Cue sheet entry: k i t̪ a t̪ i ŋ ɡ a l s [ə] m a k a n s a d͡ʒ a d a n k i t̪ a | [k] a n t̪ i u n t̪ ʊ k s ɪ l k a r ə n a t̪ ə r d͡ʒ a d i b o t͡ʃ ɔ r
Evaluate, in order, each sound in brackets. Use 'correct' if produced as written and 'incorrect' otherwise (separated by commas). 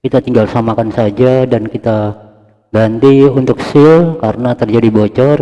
incorrect, incorrect